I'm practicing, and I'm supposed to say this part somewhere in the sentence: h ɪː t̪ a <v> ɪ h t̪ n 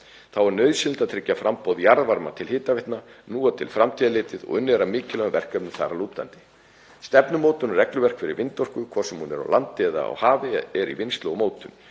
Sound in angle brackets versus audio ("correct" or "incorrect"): correct